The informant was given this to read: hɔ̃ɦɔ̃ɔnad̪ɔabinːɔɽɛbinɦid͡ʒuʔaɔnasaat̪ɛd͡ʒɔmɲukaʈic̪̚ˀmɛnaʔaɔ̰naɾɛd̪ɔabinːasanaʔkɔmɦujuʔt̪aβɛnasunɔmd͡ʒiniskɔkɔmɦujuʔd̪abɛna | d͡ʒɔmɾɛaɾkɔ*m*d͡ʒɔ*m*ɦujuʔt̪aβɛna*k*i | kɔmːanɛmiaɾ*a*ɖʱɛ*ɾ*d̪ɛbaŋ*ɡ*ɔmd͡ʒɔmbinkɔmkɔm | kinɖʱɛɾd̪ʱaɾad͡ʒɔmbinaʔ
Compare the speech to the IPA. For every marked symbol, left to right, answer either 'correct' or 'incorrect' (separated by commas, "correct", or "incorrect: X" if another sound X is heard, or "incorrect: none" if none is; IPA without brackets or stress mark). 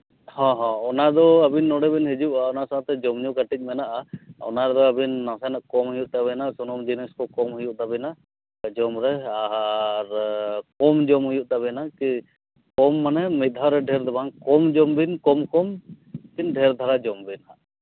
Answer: correct, correct, correct, incorrect: ɛ, correct, incorrect: k